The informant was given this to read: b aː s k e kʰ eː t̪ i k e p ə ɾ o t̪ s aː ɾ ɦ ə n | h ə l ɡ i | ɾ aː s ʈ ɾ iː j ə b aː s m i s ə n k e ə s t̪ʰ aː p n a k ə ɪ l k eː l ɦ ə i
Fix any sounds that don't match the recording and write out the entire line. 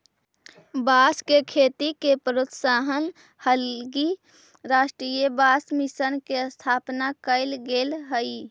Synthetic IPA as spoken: b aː s k e kʰ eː t̪ i k e p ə ɾ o t̪ s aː ɦ ə n | h ə l ɡ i | ɾ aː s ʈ ɾ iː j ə b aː s m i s ə n k e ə s t̪ʰ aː p n a k ə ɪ l ɡ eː l ɦ ə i